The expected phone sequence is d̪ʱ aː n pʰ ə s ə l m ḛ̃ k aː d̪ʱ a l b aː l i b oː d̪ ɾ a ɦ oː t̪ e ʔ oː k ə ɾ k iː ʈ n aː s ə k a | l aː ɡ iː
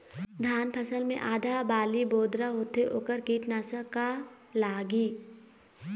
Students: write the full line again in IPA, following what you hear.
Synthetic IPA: d̪ʱ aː n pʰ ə s ə l m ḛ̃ ʔ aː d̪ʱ a b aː l i b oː d̪ ɾ a ɦ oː t̪ e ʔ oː k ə ɾ k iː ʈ n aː s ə k a | l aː ɡ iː